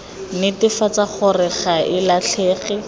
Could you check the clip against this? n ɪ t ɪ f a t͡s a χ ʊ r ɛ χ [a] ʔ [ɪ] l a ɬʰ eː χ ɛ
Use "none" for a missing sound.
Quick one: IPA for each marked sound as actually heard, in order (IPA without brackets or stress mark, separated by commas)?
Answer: a, ɪ